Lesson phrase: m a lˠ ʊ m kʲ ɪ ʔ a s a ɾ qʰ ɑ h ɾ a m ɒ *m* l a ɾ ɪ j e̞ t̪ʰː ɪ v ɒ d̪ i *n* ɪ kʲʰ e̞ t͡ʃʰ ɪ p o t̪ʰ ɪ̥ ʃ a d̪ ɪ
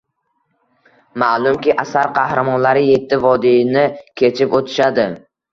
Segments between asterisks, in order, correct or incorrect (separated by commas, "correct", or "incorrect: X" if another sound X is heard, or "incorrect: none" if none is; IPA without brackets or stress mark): incorrect: n, correct